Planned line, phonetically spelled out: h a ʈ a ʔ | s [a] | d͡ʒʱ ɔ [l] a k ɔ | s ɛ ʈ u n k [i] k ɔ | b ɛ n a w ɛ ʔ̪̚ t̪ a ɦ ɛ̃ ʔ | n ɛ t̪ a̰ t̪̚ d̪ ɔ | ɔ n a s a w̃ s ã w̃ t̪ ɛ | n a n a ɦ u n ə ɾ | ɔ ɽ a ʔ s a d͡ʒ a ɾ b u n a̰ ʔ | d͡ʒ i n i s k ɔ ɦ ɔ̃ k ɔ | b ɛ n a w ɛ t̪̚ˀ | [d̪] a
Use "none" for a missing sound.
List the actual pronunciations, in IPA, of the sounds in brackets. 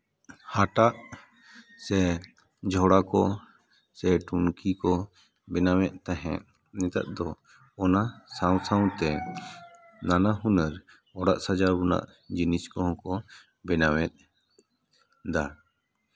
ɛ, ɽ, i, d̪

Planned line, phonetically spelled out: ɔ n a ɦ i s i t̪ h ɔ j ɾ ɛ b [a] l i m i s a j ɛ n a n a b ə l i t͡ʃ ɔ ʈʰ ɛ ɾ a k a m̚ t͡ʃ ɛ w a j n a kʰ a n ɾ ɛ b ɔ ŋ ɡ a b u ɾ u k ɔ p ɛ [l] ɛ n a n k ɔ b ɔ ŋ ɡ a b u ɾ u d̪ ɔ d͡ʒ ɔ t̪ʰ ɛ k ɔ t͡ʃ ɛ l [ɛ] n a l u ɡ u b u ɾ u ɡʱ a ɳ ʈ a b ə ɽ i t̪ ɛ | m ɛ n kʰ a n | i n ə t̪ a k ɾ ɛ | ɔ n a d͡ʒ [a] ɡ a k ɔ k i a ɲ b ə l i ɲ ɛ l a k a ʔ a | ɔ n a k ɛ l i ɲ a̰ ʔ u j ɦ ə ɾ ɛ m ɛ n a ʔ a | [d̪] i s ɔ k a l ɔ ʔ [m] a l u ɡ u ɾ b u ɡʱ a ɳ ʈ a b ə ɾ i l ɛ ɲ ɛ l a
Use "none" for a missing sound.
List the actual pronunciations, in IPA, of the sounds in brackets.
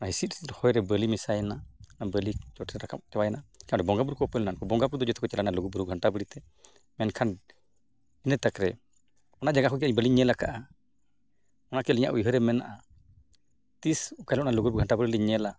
ə, l, a, a, t̪, n

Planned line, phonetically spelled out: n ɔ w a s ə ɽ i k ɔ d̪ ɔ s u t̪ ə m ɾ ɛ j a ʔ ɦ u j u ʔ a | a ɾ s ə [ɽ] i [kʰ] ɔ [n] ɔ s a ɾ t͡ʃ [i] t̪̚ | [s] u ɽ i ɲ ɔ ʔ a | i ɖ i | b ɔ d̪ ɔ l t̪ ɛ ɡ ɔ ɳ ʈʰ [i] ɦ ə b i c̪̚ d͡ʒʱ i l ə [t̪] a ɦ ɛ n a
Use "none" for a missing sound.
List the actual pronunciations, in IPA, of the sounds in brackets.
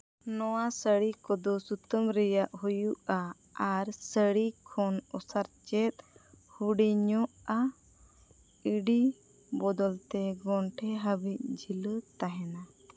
ɽ, kʰ, n, ɛ, h, ɛ, t̪

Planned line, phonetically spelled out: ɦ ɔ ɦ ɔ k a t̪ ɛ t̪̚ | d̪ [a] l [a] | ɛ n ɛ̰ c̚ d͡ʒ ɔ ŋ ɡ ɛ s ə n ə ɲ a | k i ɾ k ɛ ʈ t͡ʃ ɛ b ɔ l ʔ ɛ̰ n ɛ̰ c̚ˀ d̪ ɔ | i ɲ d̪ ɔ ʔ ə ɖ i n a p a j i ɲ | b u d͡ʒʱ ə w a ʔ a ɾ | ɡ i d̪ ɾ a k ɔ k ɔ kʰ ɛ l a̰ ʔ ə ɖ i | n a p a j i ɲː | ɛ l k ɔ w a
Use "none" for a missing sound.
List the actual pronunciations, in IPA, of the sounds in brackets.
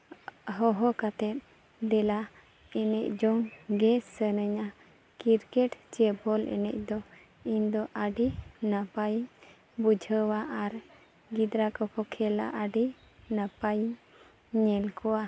ɛ, a

